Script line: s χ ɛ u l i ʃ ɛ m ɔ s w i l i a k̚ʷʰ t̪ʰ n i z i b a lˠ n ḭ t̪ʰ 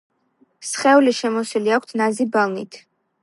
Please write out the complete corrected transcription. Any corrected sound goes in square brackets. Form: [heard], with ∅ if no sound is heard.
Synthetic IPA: s χ ɛ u l i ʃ ɛ m ɔ s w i l i a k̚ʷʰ t̪ʰ n [a] z i b a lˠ n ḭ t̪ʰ